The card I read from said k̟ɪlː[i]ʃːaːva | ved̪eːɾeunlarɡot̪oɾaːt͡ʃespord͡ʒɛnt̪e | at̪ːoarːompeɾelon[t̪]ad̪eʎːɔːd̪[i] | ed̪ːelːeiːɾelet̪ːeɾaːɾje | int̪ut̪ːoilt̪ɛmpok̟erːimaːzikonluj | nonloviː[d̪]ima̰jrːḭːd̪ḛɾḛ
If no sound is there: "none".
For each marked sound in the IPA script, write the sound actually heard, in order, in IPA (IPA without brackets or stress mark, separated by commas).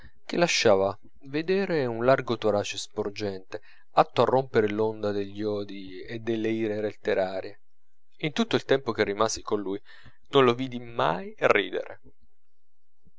a, d̪, i, d̪